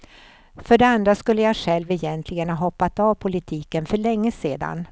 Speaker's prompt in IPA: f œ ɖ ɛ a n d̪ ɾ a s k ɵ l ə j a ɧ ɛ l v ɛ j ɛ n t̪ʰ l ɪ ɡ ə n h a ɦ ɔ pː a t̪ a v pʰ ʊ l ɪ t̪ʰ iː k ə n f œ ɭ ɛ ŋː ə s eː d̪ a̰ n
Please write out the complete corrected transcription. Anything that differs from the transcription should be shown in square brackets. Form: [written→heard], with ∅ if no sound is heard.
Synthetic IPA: f œ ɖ ɛ a n d̪ ɾ a s k ɵ [l→lː] ə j a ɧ ɛ l v ɛ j ɛ n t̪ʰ l ɪ ɡ ə n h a ɦ ɔ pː a t̪ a v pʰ ʊ l ɪ t̪ʰ iː k ə n f œ ɭ ɛ ŋː ə s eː d̪ a̰ n